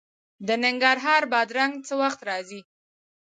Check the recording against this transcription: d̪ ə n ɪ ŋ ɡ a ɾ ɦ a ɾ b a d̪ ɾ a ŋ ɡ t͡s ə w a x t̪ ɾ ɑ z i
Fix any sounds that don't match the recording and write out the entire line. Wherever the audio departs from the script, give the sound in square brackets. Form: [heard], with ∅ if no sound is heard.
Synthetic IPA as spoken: d̪ ə n ɪ ŋ ɡ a ɾ ɦ [ɑ] ɾ b [ɑ] d̪ ɾ a ŋ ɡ t͡s ə w a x t̪ ɾ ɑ z i